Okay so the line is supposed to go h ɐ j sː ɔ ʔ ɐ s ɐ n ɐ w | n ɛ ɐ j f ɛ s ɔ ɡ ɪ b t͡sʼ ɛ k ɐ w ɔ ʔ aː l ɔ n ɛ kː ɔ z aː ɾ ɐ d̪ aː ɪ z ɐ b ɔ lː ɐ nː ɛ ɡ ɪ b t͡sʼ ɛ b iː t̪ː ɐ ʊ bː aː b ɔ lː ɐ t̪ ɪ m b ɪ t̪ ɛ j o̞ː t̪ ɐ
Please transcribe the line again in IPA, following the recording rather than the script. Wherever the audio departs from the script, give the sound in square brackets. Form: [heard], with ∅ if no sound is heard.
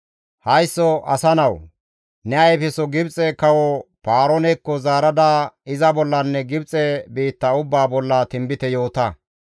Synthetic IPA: h ɐ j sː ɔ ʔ ɐ s ɐ n ɐ w | n ɛ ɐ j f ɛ s ɔ ɡ ɪ b t͡sʼ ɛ k ɐ w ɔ [p] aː [ɾ] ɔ n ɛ kː ɔ z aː ɾ ɐ d̪ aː ɪ z ɐ b ɔ lː ɐ nː ɛ ɡ ɪ b t͡sʼ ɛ b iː t̪ː ɐ ʊ bː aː b ɔ lː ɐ t̪ ɪ m b ɪ t̪ ɛ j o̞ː t̪ ɐ